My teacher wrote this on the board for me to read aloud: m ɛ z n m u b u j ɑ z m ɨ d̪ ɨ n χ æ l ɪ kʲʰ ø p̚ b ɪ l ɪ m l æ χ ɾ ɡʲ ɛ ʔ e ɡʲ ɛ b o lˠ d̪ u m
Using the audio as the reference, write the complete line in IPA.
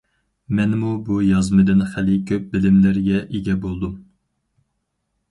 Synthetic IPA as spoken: m ɛ n m u b u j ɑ z m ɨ d̪ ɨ n χ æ l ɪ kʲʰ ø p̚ b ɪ l ɪ m l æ ɾ ɡʲ ɛ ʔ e ɡʲ ɛ b o lˠ d̪ u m

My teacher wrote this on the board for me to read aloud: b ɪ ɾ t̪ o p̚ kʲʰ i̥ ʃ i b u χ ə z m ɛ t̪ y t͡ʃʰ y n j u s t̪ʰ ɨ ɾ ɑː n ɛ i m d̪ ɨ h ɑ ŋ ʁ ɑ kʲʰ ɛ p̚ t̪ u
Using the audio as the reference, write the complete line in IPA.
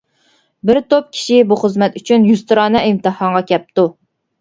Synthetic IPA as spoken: b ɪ ɾ t̪ o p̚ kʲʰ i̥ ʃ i b u χ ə z m ɛ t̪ y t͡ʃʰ y n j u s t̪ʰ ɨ ɾ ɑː n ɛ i m t̪ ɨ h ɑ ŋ ʁ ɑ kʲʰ ɛ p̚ t̪ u

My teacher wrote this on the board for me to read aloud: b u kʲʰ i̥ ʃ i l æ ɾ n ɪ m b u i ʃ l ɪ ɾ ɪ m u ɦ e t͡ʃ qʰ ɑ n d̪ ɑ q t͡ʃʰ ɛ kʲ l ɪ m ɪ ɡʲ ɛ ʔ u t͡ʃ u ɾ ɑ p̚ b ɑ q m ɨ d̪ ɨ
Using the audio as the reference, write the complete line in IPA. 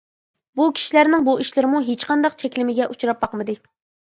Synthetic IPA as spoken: b u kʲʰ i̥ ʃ i l æ ɾ n ɪ ŋ b u i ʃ l ɪ ɾ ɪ m u ɦ e t͡ʃ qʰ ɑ n d̪ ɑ q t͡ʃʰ ɛ kʲ l ɪ m ɪ ɡʲ ɛ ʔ u t͡ʃ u ɾ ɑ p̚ b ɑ q m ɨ d̪ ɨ

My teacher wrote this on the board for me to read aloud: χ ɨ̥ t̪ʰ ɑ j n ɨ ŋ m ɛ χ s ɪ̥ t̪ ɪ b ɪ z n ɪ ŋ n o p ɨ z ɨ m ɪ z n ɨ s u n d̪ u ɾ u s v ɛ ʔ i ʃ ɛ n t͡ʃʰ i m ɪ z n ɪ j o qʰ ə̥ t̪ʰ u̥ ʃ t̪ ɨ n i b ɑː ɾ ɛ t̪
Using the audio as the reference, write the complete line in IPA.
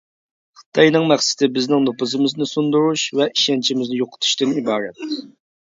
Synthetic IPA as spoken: χ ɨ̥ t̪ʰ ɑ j n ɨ ŋ m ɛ χ s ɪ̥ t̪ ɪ b ɪ z n ɪ ŋ n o p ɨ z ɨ m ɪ z n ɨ s u n d̪ u ɾ u ʃ v ɛ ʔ i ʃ ɛ n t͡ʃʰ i m ɪ z n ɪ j o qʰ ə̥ t̪ʰ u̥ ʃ t̪ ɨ n i b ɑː ɾ ɛ t̪

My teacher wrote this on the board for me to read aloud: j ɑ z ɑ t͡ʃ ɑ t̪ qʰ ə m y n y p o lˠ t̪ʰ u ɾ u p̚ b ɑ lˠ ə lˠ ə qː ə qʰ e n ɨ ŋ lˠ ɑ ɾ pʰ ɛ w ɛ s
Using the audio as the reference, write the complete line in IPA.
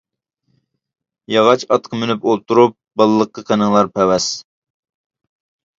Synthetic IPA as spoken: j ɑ ʁ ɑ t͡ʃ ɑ t̪ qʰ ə m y n y p o lˠ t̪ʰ u ɾ u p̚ b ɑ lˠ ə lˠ ə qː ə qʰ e n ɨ ŋ lˠ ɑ ɾ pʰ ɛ w ɛ s

